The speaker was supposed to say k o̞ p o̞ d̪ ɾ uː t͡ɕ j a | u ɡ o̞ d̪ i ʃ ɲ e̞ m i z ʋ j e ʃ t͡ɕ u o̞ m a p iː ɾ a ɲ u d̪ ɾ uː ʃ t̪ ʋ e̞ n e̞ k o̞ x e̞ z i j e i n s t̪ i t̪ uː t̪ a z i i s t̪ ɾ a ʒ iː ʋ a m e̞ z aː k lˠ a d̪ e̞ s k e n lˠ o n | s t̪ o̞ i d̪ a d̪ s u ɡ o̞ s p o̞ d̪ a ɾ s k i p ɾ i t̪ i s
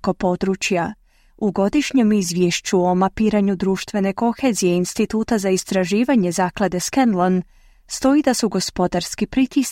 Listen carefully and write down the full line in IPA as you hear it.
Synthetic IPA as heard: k o̞ p o̞ d̪ ɾ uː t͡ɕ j a | u ɡ o̞ d̪ i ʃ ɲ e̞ m i z ʋ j e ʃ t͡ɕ u o̞ m a p iː ɾ a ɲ u d̪ ɾ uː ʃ t̪ ʋ e̞ n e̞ k o̞ x e̞ z i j e i n s t̪ i t̪ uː t̪ a z a i s t̪ ɾ a ʒ iː ʋ a ɲ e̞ z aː k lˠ a d̪ e̞ s k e n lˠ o n | s t̪ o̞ i d̪ a s u ɡ o̞ s p o̞ d̪ a ɾ s k i p ɾ i t̪ i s